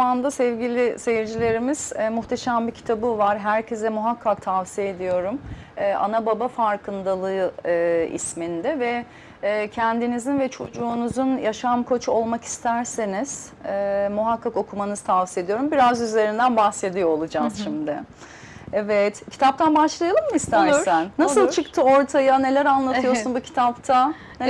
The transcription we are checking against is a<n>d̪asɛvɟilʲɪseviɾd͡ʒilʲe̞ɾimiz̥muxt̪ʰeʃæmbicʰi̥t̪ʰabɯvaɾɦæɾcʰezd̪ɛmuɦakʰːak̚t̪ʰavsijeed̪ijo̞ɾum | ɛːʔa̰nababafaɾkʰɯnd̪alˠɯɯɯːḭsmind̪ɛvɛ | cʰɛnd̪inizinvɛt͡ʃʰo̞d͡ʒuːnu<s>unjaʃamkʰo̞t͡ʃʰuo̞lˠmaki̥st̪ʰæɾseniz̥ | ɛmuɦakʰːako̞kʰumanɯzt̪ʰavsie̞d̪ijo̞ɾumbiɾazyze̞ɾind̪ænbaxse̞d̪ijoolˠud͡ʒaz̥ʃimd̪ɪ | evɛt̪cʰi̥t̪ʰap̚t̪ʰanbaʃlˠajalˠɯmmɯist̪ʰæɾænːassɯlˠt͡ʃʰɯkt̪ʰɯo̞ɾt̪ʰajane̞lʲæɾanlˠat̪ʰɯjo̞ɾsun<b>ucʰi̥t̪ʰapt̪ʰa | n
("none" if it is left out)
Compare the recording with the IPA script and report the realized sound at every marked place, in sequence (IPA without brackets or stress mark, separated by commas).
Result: n, z, b